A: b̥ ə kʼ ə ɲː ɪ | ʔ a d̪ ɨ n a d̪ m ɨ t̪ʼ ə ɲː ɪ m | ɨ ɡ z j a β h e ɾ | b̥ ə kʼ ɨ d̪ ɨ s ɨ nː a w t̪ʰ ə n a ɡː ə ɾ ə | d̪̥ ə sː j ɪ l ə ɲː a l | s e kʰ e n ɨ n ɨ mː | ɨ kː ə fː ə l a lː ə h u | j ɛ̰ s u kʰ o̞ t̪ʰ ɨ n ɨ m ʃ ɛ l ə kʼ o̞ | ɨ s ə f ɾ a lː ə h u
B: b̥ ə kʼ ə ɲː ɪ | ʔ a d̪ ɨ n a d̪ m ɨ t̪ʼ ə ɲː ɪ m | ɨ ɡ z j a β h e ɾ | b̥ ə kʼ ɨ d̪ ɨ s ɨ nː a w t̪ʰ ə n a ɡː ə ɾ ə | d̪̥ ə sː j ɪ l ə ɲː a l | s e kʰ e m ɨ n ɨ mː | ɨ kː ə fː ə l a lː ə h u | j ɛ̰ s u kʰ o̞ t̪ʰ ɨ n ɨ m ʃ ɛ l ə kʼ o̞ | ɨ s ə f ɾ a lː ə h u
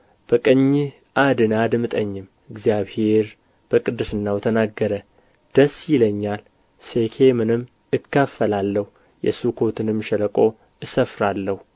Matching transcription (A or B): B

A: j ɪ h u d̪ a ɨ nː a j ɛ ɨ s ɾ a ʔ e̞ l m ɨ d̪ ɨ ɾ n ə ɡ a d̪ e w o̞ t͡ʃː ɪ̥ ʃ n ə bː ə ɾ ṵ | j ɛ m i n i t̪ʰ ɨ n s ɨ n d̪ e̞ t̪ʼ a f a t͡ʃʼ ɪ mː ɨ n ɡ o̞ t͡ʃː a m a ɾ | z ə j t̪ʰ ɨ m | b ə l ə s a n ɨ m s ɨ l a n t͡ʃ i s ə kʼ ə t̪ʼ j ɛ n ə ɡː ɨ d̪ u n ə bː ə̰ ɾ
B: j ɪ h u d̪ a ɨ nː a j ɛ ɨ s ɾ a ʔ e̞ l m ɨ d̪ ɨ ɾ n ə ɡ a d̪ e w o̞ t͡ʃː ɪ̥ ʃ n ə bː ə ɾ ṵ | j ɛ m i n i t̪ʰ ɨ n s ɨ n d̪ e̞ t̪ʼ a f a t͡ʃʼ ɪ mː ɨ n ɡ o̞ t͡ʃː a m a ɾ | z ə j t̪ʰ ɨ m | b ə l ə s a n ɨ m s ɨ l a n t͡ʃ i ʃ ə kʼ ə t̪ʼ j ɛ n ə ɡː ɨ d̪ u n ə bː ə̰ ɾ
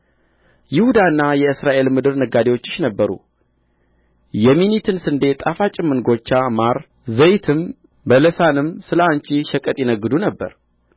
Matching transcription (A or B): B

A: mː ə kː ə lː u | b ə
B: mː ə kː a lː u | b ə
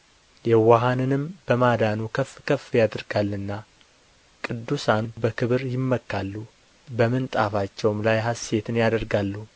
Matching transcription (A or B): B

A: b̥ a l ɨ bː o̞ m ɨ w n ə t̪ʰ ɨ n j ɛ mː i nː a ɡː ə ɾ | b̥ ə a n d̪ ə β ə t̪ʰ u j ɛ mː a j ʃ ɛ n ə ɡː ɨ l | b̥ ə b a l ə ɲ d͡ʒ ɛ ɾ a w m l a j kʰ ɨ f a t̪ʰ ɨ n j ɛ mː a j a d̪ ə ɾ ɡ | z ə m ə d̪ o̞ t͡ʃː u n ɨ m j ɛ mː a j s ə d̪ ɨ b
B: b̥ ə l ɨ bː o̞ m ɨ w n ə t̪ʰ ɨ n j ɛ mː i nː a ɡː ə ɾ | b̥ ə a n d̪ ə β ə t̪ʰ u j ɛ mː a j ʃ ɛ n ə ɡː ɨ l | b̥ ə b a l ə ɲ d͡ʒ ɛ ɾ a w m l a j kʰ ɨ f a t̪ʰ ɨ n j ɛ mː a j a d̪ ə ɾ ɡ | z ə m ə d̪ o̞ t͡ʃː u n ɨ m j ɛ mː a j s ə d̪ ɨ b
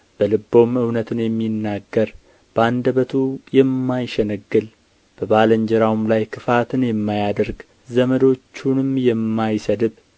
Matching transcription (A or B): B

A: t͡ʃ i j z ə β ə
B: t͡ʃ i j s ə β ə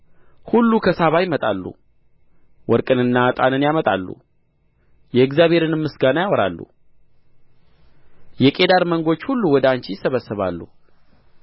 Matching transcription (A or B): B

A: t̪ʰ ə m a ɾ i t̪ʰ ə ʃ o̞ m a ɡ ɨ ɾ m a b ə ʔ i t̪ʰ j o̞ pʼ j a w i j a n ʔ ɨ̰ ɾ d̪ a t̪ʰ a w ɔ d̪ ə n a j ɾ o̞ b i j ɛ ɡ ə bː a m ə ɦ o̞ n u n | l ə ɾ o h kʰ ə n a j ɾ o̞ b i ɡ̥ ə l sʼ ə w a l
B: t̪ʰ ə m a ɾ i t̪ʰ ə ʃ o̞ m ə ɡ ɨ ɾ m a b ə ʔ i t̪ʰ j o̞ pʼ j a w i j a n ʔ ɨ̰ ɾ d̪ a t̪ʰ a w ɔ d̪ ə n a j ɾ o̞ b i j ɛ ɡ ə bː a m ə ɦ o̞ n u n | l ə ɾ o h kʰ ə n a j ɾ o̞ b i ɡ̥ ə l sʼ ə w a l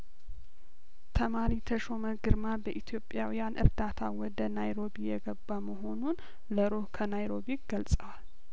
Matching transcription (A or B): B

